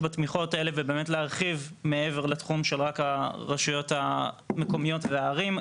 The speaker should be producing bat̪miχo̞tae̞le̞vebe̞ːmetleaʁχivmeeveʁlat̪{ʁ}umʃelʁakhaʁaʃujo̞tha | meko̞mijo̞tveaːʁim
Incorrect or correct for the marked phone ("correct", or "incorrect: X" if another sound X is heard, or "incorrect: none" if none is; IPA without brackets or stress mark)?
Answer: incorrect: χ